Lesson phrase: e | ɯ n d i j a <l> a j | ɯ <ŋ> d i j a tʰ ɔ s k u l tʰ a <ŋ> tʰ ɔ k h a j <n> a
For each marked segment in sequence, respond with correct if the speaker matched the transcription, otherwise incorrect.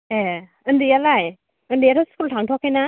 correct, incorrect: n, correct, correct

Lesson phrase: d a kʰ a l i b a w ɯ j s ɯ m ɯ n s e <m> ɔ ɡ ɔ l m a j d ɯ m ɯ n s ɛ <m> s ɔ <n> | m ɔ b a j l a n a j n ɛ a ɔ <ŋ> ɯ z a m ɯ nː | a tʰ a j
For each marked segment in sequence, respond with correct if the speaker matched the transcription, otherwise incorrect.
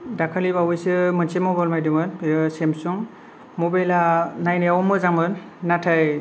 correct, correct, incorrect: ŋ, incorrect: m

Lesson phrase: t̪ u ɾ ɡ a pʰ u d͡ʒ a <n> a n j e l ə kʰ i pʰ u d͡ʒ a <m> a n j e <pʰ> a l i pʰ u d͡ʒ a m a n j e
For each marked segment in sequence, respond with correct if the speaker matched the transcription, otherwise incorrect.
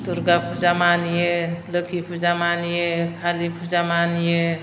incorrect: m, correct, incorrect: kʰ

